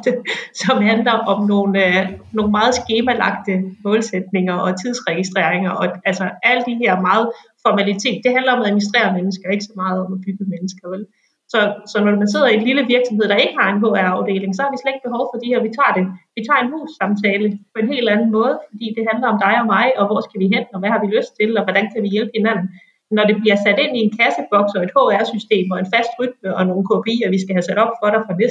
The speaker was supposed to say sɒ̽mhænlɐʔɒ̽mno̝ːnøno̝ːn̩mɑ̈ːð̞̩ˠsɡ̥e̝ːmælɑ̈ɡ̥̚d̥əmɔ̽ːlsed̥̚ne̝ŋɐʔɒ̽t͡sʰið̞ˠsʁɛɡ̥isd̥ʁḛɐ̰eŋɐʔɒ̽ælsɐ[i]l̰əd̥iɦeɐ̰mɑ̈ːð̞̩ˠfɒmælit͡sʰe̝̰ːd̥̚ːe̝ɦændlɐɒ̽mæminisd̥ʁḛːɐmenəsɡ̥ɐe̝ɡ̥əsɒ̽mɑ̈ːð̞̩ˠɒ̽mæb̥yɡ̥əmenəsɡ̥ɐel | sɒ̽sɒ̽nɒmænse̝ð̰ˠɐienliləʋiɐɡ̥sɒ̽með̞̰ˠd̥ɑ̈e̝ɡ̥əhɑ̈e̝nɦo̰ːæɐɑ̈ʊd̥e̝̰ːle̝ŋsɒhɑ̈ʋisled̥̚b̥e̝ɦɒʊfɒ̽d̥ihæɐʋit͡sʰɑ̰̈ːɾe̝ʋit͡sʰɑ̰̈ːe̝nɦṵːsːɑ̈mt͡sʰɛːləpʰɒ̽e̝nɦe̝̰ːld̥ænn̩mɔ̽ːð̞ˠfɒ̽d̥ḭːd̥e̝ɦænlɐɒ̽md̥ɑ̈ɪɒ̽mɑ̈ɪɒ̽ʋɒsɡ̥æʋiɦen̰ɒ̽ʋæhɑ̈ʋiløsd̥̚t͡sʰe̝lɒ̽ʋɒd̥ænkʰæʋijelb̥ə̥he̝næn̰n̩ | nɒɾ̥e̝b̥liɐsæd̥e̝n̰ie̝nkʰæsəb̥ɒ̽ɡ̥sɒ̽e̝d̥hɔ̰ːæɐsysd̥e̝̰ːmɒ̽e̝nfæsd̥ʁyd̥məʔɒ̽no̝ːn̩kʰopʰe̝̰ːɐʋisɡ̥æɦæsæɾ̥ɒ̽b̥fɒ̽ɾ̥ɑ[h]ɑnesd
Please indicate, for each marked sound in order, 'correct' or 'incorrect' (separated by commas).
incorrect, incorrect